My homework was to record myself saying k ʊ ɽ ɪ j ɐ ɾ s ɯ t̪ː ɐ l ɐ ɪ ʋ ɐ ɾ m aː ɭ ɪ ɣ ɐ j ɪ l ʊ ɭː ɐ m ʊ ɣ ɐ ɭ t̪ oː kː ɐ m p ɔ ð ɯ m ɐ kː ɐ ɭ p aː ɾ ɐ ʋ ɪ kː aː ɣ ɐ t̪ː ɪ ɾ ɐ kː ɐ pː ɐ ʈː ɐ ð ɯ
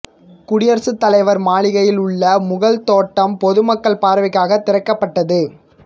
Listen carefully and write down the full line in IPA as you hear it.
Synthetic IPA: k ʊ ɽ ɪ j ɐ ɾ s ɯ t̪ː ɐ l ɐ ɪ ʋ ɐ ɾ m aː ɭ ɪ ɣ ɐ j ɪ l ʊ ɭː ɐ m ʊ ɣ ɐ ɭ t̪ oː ʈː ɐ m p ɔ ð ɯ m ɐ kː ɐ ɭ p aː ɾ ɐ ʋ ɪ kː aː ɣ ɐ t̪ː ɪ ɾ ɐ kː ɐ pː ɐ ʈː ɐ ð ɯ